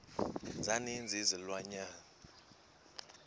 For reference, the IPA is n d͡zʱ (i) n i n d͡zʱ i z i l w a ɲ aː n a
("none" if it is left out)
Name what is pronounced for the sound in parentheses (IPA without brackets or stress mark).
a